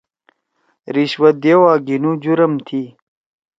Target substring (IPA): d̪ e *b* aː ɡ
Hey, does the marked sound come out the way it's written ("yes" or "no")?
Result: no